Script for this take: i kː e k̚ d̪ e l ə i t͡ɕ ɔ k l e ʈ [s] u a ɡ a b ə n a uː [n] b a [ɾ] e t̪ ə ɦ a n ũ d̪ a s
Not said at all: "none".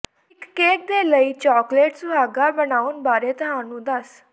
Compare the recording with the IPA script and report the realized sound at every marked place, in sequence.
s, n, ɾ

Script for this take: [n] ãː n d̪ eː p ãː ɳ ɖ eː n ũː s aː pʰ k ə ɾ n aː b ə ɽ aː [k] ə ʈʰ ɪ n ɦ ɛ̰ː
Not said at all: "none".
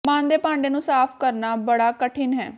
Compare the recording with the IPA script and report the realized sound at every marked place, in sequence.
m, k

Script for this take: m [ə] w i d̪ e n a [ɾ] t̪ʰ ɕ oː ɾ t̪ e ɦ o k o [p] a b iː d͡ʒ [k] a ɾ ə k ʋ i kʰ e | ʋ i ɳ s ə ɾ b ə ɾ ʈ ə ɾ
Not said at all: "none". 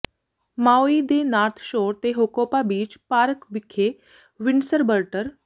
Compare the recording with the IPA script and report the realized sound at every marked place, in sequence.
a, ɾ, p, p

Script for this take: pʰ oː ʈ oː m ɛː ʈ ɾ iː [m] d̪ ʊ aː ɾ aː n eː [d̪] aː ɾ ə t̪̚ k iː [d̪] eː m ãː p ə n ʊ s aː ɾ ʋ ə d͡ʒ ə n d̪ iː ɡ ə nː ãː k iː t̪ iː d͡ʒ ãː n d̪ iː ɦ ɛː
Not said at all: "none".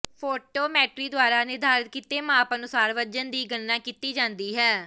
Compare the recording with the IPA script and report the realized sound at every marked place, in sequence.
none, d̪, t̪

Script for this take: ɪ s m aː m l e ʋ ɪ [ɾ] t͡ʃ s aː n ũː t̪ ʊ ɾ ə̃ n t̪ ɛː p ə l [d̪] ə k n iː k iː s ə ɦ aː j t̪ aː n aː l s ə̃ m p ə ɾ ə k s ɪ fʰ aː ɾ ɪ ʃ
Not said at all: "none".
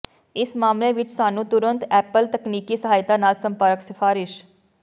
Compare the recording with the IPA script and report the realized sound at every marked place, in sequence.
none, t̪

